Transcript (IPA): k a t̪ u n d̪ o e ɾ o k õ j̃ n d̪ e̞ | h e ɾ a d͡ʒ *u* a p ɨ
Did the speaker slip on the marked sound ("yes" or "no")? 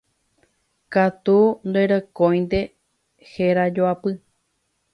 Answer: yes